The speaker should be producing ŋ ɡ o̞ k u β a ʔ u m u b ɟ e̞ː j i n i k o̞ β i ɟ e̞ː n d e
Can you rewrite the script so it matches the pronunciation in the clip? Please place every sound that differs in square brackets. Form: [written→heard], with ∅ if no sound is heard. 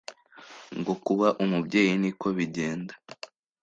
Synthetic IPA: ŋ ɡ o̞ k u β a ʔ u m u b ɟ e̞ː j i n i k o̞ β i ɟ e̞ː n d [e→a]